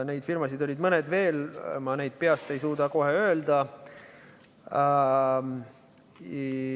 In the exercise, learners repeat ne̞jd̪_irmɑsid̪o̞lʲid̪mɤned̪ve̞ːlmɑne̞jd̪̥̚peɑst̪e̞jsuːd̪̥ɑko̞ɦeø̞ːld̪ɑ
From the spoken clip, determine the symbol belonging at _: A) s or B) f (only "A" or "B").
B